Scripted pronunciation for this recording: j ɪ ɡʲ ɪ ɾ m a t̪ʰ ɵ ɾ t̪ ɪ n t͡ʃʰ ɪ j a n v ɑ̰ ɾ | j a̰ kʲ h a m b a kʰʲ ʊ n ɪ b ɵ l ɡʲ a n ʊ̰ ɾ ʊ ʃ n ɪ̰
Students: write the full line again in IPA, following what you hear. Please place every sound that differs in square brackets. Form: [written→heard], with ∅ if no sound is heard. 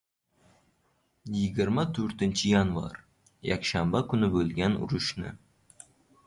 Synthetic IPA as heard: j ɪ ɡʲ ɪ ɾ m a t̪ʰ ɵ ɾ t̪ ɪ n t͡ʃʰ ɪ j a n v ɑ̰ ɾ | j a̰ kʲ [h→ʃ] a m b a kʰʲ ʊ n ɪ b ɵ l ɡʲ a n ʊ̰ ɾ ʊ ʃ n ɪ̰